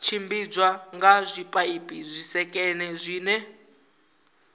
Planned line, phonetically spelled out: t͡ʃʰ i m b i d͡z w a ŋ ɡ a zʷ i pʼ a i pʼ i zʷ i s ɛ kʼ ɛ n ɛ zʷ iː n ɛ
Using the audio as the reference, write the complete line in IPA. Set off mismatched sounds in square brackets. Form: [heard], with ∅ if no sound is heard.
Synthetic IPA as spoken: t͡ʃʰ i m b i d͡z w a ŋ ɡ a zʷ i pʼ a i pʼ i zʷ i s ɛ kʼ ɛ n ɛ zʷ iː n ɛ

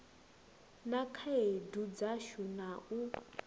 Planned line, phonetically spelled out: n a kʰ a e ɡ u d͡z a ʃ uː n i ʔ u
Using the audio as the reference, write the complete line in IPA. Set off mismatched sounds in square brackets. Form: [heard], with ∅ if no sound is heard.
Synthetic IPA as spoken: n a kʰ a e [d] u d͡z a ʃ [u] n [a] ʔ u

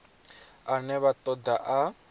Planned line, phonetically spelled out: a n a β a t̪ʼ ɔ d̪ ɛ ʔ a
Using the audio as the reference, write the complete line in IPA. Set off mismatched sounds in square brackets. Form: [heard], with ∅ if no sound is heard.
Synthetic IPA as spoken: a n [ɛ] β a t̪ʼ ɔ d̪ [a] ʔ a

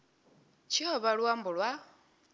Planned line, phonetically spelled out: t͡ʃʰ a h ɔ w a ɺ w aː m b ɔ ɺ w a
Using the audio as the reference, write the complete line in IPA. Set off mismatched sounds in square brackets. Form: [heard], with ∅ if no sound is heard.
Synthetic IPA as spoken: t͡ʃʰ [i] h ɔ [β] a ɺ w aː m b [u] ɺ w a

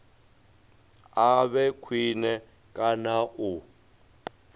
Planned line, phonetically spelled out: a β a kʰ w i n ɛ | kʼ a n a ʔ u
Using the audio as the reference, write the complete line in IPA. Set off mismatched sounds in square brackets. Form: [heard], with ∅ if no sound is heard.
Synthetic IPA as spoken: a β [ɛ] kʰ w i n ɛ | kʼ a n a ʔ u

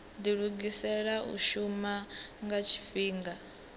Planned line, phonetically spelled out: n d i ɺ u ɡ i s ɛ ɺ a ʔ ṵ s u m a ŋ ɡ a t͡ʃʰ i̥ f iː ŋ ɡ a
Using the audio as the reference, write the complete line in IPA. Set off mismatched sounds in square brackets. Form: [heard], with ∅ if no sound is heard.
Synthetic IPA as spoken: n d i ɺ u ɡ i s ɛ ɺ a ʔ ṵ [ʃ] u m a ŋ ɡ a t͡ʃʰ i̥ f iː ŋ ɡ a

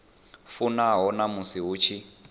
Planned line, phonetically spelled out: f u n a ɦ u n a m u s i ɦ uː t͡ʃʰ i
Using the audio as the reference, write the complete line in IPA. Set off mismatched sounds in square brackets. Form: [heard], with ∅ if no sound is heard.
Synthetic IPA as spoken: f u n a ɦ [ɔ] n a m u s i ɦ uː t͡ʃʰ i

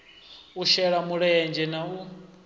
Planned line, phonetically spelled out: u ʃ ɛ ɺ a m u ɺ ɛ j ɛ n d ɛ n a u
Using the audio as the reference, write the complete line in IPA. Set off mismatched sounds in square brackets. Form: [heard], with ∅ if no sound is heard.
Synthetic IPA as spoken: u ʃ ɛ ɺ a m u ɺ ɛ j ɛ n [d͡ʒ] ɛ n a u

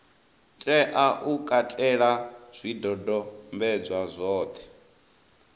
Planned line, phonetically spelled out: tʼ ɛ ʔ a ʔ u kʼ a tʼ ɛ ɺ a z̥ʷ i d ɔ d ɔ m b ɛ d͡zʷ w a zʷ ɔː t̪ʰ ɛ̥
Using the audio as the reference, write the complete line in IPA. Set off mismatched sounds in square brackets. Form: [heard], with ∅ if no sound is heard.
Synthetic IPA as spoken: tʼ ɛ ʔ a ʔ u kʼ a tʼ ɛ ɺ a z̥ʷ i d ɔ d ɔ m b ɛ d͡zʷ w a zʷ ɔː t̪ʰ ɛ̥

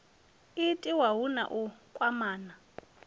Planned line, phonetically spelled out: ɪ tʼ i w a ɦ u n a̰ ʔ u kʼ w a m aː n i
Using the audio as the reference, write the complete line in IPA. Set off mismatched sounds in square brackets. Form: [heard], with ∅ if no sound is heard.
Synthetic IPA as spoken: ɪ tʼ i w a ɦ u n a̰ ʔ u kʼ w a m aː n [a]

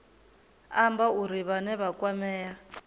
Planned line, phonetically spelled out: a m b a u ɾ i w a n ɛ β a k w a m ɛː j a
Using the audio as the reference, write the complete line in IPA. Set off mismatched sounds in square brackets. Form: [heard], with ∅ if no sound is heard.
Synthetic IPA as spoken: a m b a u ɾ i [β] a n ɛ β a k w a m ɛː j a

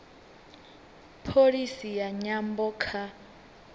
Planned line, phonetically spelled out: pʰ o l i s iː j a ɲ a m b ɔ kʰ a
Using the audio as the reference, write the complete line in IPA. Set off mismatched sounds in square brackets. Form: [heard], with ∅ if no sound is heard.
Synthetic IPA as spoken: pʰ o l i s [i] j a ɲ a m b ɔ kʰ a

